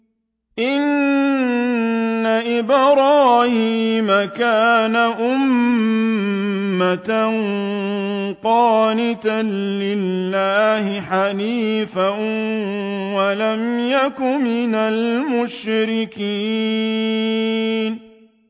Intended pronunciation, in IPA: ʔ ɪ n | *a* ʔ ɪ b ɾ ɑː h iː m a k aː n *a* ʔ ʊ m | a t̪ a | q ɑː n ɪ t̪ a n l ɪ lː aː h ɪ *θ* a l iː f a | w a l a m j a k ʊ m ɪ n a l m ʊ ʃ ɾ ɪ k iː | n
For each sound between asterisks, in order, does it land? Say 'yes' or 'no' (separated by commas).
yes, yes, no